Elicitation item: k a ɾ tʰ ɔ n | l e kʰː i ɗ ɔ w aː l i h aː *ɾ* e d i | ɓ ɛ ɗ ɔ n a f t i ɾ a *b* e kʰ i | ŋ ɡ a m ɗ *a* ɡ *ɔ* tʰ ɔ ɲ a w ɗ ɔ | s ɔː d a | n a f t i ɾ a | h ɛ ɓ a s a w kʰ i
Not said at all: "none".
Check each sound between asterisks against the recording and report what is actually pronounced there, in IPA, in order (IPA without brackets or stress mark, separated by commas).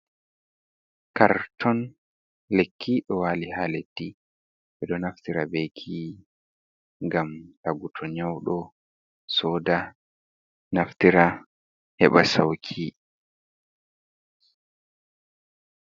l, b, a, u